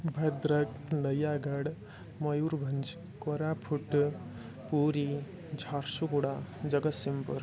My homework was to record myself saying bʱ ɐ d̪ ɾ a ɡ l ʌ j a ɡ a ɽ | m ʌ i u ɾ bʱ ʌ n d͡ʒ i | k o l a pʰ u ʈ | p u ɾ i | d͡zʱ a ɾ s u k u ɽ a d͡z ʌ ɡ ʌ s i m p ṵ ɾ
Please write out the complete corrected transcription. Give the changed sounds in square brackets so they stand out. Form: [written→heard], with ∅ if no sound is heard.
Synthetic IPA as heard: bʱ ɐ d̪ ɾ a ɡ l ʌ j a ɡ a ɽ | m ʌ [i→j] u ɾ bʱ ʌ n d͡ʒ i | k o [l→ɾ] a pʰ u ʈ | p u ɾ i | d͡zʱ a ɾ s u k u ɽ a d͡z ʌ ɡ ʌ s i m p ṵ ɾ